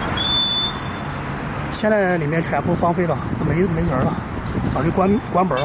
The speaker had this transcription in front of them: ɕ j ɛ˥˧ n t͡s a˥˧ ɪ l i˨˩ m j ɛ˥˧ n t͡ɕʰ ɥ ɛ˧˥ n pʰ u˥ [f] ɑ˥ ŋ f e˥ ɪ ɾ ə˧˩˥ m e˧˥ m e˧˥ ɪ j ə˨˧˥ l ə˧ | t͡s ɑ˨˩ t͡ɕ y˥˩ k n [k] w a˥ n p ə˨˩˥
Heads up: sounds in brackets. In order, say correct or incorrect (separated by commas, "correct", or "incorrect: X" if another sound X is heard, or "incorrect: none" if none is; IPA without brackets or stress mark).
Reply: correct, correct